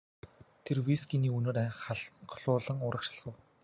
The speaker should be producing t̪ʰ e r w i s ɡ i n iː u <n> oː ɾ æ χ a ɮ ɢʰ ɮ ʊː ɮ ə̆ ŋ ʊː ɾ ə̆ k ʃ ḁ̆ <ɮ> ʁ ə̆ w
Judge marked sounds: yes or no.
yes, yes

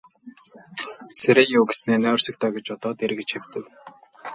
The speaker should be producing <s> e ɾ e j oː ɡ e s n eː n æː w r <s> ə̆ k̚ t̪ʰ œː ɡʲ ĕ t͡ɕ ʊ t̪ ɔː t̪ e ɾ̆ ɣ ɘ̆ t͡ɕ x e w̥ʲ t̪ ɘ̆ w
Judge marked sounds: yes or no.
yes, yes

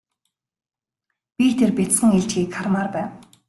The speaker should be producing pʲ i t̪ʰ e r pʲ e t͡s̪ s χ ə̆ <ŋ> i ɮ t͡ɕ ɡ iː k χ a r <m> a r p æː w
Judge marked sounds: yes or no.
yes, yes

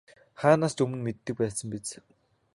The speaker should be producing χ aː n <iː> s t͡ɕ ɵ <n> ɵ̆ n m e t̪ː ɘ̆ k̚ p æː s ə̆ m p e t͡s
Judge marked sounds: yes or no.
no, no

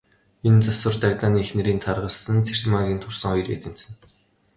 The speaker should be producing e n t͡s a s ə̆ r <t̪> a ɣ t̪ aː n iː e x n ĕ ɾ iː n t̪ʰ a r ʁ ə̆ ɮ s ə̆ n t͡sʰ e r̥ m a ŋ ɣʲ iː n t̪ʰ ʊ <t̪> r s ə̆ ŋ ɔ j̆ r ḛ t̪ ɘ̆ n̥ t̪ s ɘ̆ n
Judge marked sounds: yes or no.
yes, no

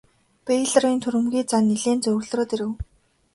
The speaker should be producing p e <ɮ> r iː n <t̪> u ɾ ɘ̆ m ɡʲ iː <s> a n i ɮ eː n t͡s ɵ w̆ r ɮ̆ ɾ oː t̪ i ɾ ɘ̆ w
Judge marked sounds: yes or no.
yes, no, no

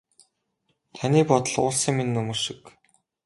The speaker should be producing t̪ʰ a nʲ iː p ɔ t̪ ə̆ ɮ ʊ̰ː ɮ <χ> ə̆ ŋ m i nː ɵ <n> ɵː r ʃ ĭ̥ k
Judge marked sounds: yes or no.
no, no

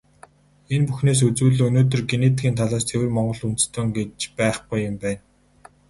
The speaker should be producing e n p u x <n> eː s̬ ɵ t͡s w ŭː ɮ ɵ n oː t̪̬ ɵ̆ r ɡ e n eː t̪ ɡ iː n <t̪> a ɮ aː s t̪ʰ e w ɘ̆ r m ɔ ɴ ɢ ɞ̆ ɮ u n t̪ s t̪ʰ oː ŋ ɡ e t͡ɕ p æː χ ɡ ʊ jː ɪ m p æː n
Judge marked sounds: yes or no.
yes, no

